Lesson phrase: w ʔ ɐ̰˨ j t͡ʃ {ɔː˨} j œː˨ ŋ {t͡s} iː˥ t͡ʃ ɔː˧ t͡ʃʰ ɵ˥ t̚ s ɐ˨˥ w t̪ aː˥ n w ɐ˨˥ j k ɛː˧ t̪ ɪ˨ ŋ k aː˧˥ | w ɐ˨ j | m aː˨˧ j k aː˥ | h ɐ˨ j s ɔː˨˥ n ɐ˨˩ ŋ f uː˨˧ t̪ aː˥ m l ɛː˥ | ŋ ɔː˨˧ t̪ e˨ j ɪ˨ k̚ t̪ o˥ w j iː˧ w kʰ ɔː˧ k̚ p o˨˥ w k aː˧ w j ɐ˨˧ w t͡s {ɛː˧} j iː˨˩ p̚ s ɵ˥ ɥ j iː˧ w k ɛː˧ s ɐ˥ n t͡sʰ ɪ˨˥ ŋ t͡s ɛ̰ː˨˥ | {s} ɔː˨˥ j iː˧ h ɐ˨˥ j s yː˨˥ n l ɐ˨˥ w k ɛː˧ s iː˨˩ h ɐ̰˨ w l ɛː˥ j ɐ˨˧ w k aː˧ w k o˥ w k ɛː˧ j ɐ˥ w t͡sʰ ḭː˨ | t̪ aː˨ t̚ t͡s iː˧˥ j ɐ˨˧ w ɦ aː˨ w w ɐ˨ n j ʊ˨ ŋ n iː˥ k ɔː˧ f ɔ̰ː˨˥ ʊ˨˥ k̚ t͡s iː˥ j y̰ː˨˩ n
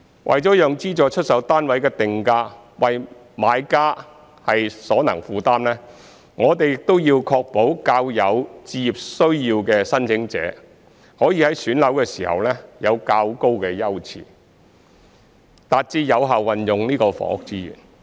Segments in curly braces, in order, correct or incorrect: incorrect: ɔː˨˥, correct, incorrect: iː˧, incorrect: h

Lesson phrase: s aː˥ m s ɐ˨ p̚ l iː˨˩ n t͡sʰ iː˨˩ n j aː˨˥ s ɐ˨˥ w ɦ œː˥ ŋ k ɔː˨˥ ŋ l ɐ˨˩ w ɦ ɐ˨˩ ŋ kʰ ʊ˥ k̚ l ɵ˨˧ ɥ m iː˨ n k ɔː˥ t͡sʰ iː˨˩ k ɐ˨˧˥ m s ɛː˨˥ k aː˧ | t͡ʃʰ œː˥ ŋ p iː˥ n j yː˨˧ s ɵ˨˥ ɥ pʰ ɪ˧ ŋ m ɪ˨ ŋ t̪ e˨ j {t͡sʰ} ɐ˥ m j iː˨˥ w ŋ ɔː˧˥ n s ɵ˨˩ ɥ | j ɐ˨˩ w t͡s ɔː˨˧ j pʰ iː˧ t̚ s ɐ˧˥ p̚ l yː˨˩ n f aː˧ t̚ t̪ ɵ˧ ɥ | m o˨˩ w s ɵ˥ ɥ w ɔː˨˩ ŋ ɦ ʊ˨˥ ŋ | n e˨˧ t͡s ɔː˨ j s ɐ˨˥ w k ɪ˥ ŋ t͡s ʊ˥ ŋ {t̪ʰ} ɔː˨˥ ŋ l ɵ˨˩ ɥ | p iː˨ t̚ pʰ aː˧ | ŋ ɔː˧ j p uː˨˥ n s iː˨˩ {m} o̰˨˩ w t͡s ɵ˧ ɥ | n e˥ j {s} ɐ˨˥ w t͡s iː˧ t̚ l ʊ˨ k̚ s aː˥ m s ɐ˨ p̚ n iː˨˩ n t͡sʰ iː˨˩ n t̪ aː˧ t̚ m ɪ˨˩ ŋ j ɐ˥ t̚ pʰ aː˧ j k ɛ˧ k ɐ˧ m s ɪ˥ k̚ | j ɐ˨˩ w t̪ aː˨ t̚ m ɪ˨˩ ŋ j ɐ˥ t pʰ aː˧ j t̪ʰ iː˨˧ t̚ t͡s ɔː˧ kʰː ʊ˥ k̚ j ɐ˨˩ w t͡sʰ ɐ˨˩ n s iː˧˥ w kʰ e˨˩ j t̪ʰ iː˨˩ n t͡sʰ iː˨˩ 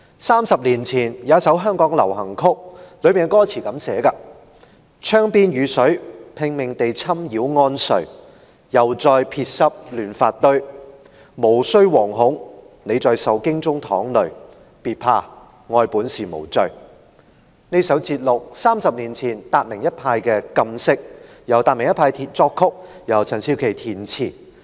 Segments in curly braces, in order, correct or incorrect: correct, correct, correct, correct

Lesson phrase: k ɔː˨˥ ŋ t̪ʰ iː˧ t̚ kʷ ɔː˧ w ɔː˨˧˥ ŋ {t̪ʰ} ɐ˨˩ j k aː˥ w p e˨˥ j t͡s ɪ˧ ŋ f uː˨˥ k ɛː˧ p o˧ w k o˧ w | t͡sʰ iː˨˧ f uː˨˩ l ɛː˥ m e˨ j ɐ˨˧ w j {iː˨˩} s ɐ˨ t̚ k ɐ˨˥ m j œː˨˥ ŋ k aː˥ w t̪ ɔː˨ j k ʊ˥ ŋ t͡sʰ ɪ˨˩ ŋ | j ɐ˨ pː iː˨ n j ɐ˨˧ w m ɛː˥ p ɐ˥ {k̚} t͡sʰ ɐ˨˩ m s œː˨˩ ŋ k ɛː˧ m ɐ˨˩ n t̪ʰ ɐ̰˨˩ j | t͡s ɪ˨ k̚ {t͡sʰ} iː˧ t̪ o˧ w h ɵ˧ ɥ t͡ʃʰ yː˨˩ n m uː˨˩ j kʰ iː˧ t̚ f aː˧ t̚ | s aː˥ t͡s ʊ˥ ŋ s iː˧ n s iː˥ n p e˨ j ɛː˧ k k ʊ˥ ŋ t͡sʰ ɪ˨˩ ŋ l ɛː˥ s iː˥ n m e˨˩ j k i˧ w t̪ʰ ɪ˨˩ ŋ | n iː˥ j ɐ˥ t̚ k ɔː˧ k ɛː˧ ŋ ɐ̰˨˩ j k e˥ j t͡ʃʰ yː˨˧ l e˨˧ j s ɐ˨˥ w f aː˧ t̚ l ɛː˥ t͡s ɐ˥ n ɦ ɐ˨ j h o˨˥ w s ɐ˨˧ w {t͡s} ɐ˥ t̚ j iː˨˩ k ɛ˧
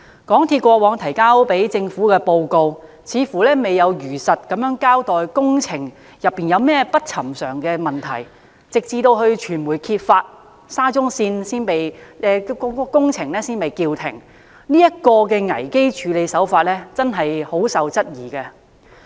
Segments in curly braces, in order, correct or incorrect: correct, incorrect: yː˨˩, incorrect: t̚, incorrect: t͡s, correct

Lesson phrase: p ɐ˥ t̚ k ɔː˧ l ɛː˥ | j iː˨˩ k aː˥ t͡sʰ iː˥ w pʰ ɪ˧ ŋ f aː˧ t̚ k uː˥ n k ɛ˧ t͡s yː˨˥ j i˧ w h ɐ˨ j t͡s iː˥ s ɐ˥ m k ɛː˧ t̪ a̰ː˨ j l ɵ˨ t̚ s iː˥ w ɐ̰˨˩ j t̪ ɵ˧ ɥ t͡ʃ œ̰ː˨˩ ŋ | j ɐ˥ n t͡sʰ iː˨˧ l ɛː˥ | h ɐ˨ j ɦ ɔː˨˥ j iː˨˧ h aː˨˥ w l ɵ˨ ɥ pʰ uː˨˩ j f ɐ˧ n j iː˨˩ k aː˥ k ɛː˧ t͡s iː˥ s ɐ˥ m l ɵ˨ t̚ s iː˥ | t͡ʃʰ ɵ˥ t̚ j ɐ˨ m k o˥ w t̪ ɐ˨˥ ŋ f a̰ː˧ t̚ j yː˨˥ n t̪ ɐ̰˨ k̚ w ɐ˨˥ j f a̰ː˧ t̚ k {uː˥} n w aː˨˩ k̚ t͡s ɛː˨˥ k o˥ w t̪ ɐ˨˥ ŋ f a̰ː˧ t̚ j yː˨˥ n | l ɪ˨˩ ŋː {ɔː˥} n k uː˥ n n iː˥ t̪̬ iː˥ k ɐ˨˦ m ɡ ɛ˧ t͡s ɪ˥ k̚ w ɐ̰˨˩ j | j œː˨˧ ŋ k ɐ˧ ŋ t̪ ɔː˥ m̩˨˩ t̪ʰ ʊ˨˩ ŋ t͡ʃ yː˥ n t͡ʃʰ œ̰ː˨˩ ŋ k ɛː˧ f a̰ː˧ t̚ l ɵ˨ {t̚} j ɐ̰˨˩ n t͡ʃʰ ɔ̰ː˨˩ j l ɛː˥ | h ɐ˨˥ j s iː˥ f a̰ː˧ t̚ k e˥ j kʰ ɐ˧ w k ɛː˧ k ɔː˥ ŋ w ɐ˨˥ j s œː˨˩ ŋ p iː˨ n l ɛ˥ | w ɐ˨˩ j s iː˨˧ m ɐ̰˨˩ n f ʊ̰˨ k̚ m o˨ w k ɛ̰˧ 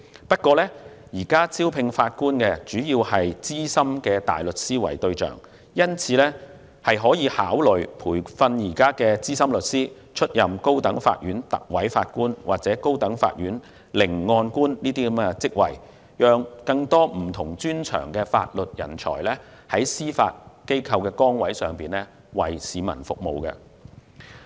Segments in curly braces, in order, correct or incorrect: correct, incorrect: ɔː˧, correct

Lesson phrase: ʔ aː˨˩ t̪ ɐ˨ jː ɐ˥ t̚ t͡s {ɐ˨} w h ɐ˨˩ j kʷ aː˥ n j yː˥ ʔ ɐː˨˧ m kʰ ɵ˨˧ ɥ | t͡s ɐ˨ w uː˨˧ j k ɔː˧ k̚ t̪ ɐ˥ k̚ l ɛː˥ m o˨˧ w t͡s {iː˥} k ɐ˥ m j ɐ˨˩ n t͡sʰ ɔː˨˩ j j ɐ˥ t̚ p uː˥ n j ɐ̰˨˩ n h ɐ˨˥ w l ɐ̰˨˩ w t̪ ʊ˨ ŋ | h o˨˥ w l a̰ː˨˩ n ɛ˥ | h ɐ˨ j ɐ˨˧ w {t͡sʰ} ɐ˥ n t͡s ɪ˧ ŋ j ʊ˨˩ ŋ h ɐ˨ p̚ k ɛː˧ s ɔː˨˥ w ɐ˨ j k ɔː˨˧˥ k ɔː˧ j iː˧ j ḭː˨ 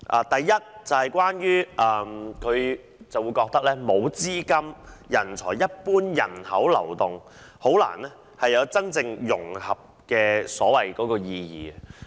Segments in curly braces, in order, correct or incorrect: correct, correct, incorrect: t͡s

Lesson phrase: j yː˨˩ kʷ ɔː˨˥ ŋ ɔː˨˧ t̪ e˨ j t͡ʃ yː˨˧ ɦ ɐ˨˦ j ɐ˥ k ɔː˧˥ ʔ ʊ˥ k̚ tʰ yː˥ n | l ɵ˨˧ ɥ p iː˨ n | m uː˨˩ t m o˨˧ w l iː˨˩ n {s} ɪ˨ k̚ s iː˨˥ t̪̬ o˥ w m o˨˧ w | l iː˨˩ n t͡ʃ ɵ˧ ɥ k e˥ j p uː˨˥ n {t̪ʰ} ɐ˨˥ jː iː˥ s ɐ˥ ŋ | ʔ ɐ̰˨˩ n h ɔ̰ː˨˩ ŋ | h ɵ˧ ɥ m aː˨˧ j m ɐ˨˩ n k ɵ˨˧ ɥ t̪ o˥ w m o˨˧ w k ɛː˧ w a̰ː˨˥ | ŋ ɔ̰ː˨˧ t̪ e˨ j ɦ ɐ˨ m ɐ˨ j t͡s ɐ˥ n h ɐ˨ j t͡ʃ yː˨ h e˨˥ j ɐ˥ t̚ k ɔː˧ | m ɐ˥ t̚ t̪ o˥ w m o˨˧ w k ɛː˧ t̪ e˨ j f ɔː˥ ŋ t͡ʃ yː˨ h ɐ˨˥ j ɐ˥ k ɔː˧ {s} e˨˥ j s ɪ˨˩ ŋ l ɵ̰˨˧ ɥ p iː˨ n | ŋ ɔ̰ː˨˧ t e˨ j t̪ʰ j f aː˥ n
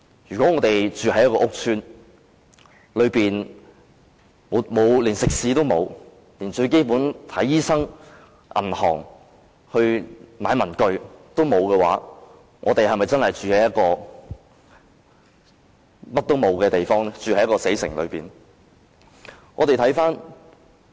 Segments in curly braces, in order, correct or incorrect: correct, correct, correct

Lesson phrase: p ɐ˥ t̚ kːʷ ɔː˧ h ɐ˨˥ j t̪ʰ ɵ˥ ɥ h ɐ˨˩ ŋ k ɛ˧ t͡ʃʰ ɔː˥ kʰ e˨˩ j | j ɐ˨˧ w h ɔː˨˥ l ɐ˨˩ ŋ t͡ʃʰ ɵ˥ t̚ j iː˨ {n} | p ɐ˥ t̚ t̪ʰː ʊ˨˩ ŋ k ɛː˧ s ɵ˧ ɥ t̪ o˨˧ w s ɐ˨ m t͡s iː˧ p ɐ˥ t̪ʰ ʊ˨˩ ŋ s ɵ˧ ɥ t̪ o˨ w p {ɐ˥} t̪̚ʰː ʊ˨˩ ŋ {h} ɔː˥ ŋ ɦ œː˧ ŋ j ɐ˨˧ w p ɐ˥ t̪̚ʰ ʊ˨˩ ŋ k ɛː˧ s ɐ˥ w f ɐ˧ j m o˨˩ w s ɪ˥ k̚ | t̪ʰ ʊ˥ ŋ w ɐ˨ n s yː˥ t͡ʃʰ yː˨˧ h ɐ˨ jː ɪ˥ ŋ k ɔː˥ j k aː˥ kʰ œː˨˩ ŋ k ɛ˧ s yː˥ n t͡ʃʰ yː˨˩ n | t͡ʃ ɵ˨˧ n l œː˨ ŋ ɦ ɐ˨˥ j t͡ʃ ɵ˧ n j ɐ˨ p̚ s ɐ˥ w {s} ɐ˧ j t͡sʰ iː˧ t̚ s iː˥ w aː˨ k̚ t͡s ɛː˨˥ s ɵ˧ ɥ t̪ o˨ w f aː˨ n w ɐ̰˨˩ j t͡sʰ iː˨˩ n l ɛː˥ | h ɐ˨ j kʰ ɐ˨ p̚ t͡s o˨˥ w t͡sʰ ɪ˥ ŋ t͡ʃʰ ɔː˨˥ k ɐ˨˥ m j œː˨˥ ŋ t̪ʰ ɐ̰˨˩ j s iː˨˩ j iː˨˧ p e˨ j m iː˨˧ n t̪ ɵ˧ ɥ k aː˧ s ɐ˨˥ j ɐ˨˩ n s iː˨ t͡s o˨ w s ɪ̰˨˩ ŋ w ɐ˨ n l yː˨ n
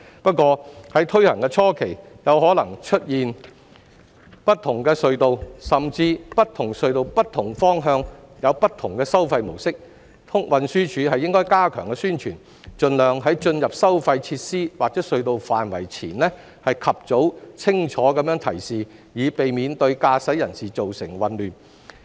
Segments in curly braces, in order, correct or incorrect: correct, correct, incorrect: f, incorrect: f

